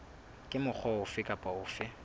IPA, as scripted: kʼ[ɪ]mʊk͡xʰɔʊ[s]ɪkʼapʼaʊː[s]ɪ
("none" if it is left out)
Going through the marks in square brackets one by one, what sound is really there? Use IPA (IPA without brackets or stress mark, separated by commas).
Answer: ɪ, f, f